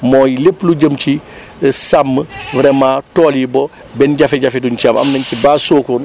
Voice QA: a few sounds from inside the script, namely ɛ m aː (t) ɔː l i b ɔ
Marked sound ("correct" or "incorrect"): correct